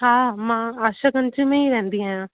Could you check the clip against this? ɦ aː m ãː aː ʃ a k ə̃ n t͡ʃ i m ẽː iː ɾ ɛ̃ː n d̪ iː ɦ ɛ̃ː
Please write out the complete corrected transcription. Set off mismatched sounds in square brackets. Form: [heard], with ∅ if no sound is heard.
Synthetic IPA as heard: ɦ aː m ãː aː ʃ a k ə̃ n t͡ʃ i m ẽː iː ɾ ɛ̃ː n d̪ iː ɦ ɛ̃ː